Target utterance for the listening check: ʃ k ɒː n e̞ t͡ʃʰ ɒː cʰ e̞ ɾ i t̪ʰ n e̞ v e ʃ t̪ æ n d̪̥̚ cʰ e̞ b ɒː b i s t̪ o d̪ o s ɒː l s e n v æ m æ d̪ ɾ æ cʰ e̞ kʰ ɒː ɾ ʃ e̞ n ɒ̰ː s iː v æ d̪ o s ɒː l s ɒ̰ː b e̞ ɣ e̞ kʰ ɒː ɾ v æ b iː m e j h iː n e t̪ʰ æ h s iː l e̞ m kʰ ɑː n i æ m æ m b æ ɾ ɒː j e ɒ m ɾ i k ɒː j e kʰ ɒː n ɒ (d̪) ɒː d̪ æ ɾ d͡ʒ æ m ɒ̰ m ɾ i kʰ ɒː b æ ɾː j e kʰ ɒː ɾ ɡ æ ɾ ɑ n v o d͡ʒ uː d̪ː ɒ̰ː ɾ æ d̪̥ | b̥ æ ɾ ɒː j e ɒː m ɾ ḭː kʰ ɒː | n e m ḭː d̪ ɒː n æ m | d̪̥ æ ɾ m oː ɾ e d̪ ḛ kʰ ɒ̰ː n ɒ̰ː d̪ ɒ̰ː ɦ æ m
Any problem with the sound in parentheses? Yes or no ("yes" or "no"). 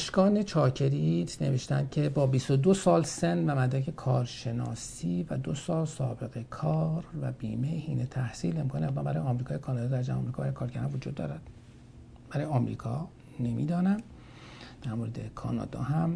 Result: no